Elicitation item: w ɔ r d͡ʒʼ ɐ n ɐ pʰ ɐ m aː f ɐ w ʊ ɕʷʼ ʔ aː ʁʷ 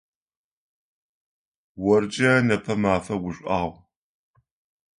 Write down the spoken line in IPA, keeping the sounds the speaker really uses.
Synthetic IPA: w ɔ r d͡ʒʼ ɐ n ɐ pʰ ɐ m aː f ɐ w ʊ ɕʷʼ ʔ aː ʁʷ

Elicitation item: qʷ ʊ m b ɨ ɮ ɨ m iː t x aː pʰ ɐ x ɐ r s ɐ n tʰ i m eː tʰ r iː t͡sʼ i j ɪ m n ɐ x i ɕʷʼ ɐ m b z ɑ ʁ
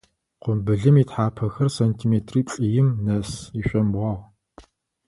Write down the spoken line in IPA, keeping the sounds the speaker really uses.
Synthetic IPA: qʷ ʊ m b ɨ ɮ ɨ m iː t ħ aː pʰ ɐ x ɐ r s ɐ n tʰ i m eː tʰ r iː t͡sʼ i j ɪ m n ɐ s i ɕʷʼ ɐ m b ʁ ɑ ʁ

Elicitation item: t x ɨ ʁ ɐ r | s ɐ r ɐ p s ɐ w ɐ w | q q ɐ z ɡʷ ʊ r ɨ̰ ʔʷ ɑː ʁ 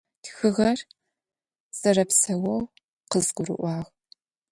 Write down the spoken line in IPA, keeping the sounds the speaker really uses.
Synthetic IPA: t x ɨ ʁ ɐ r | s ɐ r ɐ p s ɐ w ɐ w | q q ə z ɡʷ ʊ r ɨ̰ ʔʷ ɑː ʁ

